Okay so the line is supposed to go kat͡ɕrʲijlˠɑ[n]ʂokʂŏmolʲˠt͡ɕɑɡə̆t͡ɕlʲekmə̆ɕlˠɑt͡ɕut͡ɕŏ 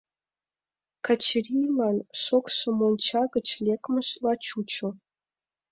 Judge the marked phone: correct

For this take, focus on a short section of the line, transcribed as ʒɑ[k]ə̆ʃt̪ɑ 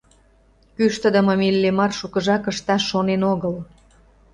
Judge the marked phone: correct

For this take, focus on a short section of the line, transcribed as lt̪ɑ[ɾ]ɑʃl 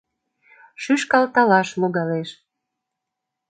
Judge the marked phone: incorrect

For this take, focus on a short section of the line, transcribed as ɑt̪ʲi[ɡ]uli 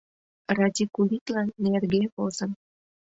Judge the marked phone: incorrect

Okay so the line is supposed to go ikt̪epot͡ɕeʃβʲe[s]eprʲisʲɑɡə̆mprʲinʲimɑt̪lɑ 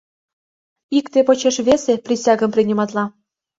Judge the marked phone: correct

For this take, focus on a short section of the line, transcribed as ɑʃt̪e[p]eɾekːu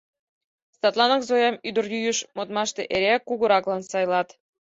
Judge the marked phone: incorrect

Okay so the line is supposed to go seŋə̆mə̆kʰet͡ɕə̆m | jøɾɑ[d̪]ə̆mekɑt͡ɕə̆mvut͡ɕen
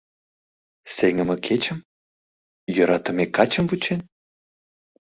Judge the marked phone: incorrect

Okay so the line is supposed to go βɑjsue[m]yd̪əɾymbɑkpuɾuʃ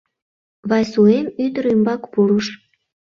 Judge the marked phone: correct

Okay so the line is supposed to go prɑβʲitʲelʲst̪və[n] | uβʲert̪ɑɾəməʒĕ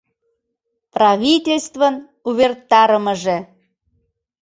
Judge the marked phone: correct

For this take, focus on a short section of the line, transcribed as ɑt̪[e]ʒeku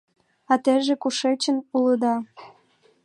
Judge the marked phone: correct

